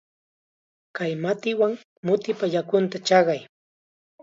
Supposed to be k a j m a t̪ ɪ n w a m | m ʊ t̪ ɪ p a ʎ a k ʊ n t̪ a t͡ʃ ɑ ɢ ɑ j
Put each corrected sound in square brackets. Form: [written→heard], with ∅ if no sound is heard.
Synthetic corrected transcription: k a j m a t̪ ɪ [n→∅] w a [m→ŋ] | m ʊ t̪ ɪ p a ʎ a k ʊ n t̪ a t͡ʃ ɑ ɢ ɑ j